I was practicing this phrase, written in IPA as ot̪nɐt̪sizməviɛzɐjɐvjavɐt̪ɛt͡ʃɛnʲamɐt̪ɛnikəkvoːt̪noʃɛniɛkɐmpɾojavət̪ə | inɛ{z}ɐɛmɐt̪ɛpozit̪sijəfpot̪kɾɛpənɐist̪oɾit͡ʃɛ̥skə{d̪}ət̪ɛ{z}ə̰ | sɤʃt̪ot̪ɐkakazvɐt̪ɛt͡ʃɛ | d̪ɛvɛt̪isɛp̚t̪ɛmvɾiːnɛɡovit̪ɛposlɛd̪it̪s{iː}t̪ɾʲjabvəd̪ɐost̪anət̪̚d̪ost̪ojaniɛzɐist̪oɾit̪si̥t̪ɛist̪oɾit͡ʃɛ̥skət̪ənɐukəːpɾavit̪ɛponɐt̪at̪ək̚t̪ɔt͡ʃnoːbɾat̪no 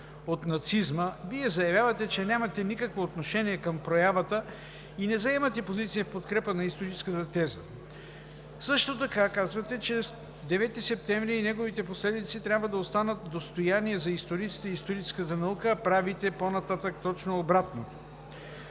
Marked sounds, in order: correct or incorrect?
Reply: correct, incorrect, correct, incorrect

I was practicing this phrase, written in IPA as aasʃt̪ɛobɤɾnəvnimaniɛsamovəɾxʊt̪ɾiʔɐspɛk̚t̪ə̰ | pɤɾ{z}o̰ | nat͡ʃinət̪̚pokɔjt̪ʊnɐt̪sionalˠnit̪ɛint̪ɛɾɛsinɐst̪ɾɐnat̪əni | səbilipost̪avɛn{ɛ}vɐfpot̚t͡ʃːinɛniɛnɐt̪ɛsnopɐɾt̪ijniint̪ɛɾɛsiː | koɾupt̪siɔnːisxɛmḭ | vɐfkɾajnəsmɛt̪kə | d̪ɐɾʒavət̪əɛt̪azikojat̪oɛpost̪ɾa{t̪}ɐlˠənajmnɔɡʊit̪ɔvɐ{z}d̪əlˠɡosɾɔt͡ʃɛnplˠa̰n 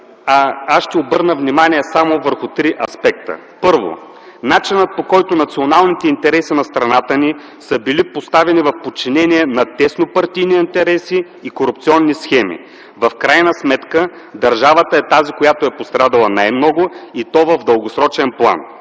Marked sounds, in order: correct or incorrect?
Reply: incorrect, incorrect, incorrect, incorrect

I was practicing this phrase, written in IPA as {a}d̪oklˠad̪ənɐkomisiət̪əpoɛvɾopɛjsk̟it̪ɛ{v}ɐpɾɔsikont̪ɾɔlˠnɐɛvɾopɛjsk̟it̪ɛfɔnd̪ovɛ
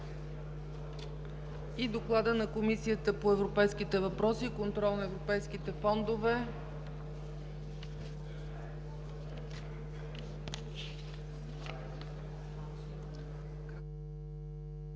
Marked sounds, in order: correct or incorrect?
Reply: incorrect, correct

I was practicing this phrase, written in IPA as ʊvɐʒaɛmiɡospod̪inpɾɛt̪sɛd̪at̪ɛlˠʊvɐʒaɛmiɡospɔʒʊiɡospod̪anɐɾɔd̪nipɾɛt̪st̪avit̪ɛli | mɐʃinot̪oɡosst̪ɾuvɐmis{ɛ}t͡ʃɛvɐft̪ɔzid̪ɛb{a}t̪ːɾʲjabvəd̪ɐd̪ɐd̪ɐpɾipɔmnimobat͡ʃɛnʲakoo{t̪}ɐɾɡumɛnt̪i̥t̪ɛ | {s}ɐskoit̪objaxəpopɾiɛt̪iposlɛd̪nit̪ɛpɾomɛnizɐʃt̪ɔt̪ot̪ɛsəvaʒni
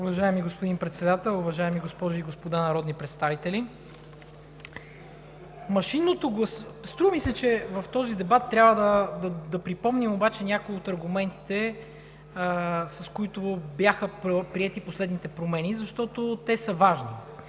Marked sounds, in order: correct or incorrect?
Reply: correct, correct, correct, correct

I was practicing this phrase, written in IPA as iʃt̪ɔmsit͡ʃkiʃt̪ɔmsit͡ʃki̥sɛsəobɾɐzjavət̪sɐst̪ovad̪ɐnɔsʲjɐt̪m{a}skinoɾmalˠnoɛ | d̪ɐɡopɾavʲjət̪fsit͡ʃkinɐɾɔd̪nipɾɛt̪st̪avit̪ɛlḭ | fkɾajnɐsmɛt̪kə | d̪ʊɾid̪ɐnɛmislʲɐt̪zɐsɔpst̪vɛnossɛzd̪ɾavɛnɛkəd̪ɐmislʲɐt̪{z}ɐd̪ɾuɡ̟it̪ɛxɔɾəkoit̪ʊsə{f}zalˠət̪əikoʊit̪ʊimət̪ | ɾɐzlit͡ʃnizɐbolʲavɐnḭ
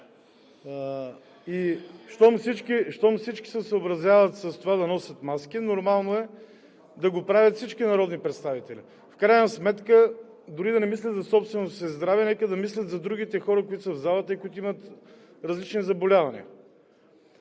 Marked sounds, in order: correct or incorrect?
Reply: correct, correct, incorrect

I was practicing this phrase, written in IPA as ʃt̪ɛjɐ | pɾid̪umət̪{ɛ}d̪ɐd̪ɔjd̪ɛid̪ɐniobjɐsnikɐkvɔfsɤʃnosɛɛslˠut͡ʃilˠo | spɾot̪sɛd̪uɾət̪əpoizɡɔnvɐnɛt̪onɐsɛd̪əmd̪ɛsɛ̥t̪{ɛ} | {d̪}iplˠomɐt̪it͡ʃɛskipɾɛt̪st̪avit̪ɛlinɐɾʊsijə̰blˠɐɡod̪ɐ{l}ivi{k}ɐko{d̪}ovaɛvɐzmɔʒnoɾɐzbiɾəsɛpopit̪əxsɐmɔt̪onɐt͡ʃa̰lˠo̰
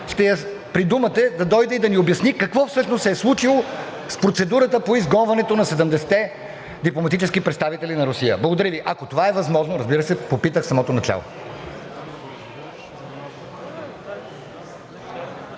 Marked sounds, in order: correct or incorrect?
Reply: correct, correct, correct, incorrect, incorrect, incorrect

